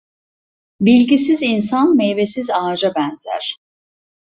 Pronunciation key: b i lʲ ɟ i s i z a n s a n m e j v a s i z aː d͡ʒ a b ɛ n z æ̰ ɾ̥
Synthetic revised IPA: b i lʲ ɟ i s i z i n s a n m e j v e s i z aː d͡ʒ a b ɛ n z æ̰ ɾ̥